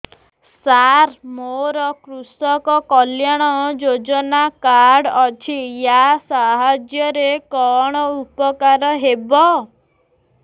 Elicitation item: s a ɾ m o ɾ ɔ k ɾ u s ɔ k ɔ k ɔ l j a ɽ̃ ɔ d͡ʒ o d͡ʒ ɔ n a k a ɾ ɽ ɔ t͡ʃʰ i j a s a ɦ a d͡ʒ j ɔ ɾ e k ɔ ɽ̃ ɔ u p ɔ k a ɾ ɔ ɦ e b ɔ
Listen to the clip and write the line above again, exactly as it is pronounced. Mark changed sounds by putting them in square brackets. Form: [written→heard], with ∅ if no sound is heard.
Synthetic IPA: s a ɾ m o ɾ ɔ k ɾ u s ɔ k ɔ k ɔ l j a ɽ̃ ɔ d͡ʒ o d͡ʒ ɔ n a k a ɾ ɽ ɔ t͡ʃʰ i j a s a ɦ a d͡ʒ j ɔ ɾ e k ɔ ɽ̃ ɔ u p ɔ k a ɾ ɔ ɦ e b ɔ